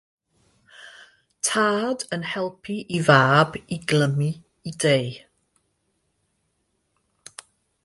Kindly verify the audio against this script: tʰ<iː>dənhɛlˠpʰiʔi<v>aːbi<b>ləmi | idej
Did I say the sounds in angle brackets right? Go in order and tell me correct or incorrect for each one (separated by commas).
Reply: incorrect, correct, incorrect